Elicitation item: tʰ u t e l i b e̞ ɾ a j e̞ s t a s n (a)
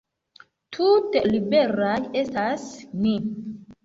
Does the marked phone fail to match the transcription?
yes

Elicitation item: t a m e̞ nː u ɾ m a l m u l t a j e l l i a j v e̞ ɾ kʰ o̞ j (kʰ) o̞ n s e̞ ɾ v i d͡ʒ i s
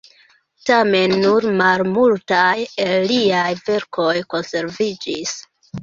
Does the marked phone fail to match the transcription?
yes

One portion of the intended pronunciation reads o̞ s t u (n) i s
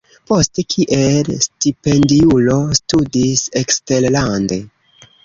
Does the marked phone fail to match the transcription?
yes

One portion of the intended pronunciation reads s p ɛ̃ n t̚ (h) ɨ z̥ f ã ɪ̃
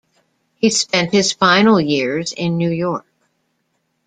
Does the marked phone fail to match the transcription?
no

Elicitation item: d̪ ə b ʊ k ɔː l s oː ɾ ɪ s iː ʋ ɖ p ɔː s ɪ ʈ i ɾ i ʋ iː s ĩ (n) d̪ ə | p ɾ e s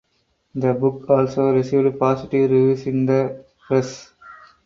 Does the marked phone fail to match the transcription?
yes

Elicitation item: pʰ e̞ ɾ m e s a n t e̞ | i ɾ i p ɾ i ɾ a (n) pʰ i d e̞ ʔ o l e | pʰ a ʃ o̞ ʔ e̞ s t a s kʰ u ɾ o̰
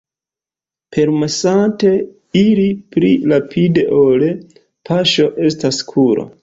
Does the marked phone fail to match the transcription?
yes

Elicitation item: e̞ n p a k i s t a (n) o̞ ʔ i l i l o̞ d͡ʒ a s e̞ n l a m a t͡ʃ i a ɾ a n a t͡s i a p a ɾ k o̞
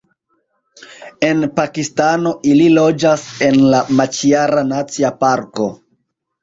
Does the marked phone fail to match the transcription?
no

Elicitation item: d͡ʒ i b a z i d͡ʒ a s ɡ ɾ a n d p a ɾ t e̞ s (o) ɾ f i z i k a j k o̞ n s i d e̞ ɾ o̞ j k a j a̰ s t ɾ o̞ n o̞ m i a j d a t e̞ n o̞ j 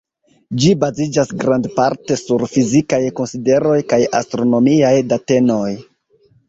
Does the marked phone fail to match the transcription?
yes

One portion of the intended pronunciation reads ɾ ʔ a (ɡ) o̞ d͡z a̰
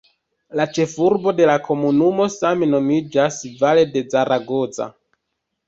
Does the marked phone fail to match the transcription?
no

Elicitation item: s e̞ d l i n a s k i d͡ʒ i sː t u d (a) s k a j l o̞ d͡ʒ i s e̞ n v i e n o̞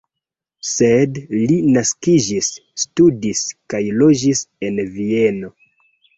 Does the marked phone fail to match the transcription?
yes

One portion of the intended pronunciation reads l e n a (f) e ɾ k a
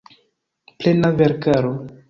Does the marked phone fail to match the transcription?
yes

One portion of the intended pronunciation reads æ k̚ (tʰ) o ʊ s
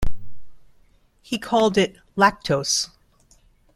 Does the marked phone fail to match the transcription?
no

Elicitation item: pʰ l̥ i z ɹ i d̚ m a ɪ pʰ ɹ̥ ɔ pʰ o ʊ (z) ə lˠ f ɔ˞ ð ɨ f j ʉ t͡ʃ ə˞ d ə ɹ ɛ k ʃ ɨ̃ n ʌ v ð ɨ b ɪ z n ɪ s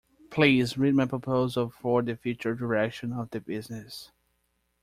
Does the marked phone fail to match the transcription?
no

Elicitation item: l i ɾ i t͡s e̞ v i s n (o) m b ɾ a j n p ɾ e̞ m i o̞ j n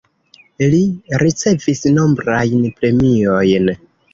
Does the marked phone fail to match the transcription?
no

